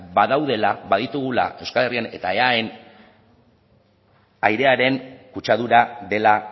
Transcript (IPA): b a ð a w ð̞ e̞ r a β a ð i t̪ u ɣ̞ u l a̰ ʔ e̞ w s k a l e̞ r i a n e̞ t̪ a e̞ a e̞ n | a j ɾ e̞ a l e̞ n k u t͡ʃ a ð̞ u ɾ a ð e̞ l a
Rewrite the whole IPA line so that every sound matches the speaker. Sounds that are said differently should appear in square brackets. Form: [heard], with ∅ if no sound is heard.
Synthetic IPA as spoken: b a ð a w ð̞ e̞ [l] a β a ð i t̪ u ɣ̞ u l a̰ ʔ e̞ w s k a l e̞ r i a n e̞ t̪ a e̞ a e̞ n | a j ɾ e̞ a [ɾ] e̞ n k u t͡ʃ a ð̞ u ɾ a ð e̞ l a

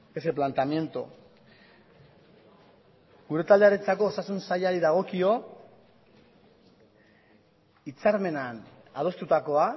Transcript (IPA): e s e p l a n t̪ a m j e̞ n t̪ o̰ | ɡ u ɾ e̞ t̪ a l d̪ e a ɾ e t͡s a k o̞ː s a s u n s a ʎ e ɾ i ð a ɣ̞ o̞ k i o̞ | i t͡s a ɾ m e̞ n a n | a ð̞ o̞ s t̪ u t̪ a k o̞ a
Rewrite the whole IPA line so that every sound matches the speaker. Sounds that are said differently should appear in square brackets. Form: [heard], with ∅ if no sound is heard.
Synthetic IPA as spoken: e s e p l a n t̪ a m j e̞ n t̪ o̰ | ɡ u ɾ e̞ t̪ a l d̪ e a ɾ e t͡s a k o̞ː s a s u n s a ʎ [a] ɾ i ð a ɣ̞ o̞ k i o̞ | i t͡s a ɾ m e̞ n a n | a ð̞ o̞ s t̪ u t̪ a k o̞ a

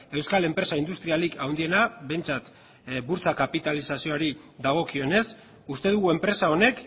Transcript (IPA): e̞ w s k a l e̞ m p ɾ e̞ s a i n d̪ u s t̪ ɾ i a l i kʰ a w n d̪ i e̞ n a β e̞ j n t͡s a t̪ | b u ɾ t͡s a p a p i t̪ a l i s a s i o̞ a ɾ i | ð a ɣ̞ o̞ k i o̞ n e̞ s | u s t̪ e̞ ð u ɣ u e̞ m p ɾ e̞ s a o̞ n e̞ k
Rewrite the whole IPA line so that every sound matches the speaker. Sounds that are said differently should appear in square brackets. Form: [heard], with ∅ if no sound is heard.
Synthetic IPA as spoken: e̞ w s k a l e̞ m p ɾ e̞ s a i n d̪ u s t̪ ɾ i a l i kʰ a w n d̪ i e̞ n a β e̞ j n t͡s a t̪ | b u ɾ t͡s a [k] a p i t̪ a l i s a s i o̞ a ɾ i | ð a ɣ̞ o̞ k i o̞ n e̞ s | u s t̪ e̞ ð u ɣ u e̞ m p ɾ e̞ s a o̞ n e̞ k

